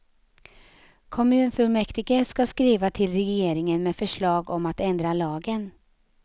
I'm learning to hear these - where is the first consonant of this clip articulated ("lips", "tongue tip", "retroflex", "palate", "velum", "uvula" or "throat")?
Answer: velum